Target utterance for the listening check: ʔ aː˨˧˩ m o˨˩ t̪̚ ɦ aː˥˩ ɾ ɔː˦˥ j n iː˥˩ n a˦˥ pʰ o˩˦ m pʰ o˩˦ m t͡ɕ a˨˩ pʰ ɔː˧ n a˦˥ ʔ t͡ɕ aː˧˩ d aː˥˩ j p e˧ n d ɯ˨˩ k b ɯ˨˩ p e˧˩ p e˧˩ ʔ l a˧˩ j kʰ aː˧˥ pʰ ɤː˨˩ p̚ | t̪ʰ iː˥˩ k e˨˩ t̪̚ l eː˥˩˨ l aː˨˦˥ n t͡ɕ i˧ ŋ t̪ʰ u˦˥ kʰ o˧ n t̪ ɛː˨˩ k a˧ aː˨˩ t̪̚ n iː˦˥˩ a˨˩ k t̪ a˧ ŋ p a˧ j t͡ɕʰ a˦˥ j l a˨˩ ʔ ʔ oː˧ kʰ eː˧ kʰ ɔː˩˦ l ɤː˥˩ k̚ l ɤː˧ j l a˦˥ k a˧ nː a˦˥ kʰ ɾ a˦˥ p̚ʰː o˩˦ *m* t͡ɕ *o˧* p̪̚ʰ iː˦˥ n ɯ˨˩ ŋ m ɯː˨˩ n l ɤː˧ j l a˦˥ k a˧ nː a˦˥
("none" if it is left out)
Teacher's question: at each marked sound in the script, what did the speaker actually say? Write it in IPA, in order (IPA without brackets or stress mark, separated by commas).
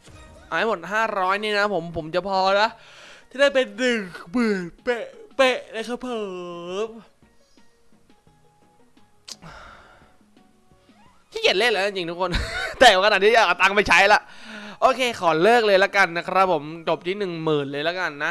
m, o˨˩